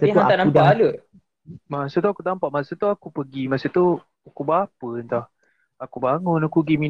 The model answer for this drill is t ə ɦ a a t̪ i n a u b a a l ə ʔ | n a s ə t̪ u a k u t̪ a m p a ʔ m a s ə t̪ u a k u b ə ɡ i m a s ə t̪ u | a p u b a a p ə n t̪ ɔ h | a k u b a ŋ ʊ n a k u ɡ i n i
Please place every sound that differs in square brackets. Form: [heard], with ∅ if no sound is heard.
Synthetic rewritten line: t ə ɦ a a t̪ [a] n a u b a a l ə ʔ | [m] a s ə t̪ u a k u t̪ a m p a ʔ m a s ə t̪ u a k u [p] ə ɡ i m a s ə t̪ u | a [k] u b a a p ə n t̪ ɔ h | a k u b a ŋ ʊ n a k u ɡ i [m] i